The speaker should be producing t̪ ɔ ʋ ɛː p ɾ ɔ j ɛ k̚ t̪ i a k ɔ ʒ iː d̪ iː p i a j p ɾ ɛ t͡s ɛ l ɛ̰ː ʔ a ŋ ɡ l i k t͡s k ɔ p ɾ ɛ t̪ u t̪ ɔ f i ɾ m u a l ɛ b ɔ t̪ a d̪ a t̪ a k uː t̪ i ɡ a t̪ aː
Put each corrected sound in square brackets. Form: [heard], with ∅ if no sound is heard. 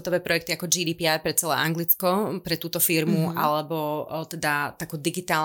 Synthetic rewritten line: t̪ ɔ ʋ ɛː p ɾ ɔ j ɛ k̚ t̪ i a k ɔ [d͡ʒ] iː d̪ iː p i a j p ɾ ɛ t͡s ɛ l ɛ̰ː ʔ a ŋ ɡ l i [∅] t͡s k ɔ p ɾ ɛ t̪ [uː] t̪ ɔ f i ɾ m u a l ɛ b ɔ t̪ [ɛ] d̪ a t̪ a k uː [d̪] i ɡ [i] t̪ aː